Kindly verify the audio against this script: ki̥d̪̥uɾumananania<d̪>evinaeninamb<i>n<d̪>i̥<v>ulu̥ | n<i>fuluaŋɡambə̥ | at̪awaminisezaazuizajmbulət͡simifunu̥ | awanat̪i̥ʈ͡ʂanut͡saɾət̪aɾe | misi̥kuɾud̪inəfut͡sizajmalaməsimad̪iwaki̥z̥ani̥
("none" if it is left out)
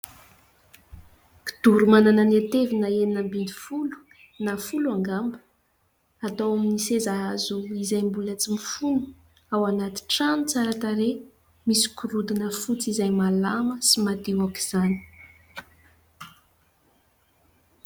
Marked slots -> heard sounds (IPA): t̪, i, d̪, f, a

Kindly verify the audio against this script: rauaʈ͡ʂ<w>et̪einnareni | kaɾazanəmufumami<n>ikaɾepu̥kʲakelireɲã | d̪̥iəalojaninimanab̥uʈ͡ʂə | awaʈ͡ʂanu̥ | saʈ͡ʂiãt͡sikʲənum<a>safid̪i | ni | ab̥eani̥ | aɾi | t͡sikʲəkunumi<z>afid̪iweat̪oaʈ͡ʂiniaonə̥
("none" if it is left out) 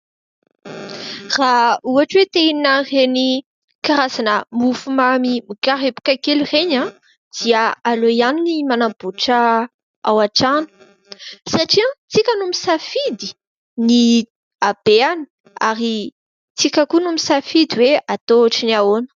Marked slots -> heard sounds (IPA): w, m, i, s

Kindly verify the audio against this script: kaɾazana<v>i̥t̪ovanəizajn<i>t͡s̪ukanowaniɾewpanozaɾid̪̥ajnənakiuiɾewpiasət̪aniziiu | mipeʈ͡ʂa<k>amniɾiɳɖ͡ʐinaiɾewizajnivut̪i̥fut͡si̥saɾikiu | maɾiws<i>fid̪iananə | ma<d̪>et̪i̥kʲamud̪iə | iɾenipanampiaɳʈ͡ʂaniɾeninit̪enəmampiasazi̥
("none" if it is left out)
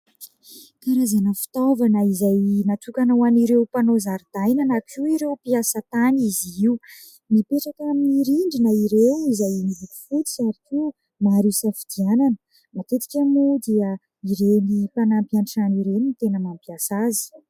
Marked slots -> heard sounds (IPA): f, a, k, a, t̪

